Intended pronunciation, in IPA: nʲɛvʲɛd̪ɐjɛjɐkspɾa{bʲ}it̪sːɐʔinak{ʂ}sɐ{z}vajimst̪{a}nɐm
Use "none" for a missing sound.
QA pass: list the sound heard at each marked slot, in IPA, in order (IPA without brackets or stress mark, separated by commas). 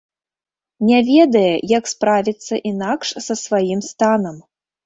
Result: vʲ, ʂ, s, a